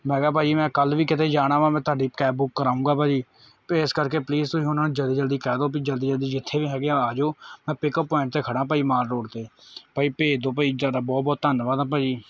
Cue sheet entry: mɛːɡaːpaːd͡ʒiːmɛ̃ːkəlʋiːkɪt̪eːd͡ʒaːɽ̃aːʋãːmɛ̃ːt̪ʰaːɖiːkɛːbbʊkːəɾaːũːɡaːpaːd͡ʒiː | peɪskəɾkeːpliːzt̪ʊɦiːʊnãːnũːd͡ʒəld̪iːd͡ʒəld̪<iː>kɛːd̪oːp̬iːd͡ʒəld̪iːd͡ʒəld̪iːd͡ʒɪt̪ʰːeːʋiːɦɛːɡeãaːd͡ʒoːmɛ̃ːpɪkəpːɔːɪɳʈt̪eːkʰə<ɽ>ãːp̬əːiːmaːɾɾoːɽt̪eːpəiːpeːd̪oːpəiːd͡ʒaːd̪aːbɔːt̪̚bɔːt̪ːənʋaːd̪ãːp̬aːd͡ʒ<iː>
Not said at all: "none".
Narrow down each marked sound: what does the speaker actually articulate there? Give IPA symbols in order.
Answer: iː, ɽ, iː

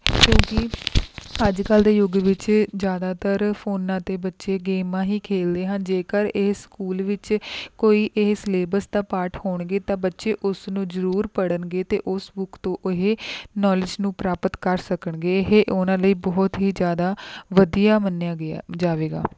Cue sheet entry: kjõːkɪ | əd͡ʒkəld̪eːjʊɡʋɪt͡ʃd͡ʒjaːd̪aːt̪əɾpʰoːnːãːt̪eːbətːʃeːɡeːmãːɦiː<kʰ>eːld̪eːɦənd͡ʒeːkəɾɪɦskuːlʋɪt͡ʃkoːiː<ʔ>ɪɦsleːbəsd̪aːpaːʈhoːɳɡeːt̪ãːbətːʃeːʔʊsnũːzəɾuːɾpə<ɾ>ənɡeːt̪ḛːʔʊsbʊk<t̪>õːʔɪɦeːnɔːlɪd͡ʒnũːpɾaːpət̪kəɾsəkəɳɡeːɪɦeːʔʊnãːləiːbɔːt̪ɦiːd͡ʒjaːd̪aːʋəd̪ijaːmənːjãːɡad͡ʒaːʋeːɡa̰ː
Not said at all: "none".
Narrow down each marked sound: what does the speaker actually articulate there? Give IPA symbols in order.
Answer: kʰ, ʔ, ɽ, t̪

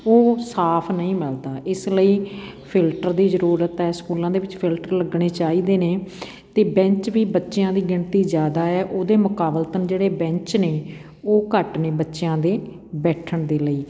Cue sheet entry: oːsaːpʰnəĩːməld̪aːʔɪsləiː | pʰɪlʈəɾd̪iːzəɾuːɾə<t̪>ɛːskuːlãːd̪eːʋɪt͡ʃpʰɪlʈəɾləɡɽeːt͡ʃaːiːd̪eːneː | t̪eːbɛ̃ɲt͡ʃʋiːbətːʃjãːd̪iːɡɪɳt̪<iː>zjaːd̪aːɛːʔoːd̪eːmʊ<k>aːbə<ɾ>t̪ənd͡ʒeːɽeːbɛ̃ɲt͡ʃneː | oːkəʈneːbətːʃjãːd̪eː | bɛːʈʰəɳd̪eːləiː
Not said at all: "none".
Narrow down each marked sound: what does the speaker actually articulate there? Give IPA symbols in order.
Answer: t̪, iː, k, l

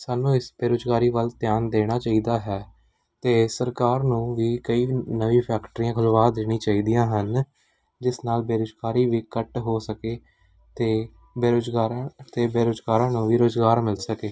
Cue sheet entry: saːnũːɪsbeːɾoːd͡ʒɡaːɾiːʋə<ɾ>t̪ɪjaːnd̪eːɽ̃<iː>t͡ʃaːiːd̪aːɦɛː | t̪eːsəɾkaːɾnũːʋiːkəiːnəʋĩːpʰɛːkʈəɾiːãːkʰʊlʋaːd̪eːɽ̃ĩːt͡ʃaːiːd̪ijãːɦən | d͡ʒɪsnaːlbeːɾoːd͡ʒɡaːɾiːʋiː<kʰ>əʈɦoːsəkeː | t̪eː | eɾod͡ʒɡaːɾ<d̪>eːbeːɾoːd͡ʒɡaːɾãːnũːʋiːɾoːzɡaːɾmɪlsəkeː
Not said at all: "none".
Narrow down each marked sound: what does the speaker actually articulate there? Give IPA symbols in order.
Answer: l, aː, k, t̪

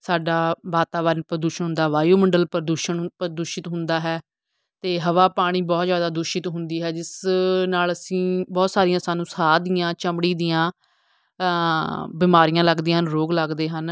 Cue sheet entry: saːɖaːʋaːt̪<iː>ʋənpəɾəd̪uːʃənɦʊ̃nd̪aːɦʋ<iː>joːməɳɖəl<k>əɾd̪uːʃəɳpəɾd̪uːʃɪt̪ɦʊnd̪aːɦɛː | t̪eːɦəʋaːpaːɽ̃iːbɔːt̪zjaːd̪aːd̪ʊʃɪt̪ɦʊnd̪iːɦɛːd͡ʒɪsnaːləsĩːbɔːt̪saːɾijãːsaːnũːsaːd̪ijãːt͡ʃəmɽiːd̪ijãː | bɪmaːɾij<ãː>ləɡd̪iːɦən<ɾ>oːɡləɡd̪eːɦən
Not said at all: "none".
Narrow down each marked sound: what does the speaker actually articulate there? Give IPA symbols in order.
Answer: aː, aː, p, ãː, ɾ

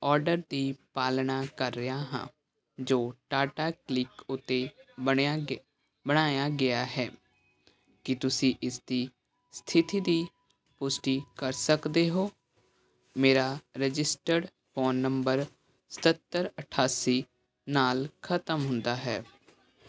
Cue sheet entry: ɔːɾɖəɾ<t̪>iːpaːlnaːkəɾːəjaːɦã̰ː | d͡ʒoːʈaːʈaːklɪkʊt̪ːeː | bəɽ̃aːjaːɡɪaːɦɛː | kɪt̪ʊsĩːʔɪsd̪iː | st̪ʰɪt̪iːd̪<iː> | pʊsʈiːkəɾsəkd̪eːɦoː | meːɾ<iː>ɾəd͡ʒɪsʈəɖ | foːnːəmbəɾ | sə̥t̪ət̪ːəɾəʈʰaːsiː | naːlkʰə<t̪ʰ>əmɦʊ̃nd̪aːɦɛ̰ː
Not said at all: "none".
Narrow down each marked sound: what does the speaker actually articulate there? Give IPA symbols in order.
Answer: d̪, iː, aː, t̪

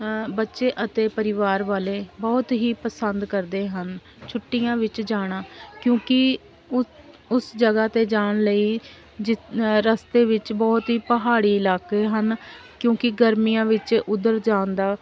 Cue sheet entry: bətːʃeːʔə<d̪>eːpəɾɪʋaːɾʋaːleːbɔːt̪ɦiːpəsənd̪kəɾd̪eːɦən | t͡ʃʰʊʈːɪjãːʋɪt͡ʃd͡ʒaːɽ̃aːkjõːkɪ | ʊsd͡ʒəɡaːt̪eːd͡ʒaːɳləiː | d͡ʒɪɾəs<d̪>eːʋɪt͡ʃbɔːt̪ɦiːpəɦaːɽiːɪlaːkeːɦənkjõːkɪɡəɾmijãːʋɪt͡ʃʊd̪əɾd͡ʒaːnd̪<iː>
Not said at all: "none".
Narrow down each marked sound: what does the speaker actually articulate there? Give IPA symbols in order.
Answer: t̪, t̪, aː

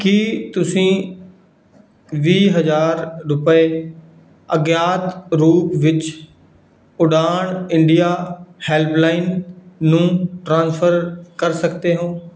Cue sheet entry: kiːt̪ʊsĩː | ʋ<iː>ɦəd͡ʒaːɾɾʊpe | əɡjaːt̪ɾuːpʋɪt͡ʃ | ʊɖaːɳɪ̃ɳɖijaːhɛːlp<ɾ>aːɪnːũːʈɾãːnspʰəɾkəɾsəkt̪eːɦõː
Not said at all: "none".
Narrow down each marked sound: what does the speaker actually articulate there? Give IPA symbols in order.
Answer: iː, l

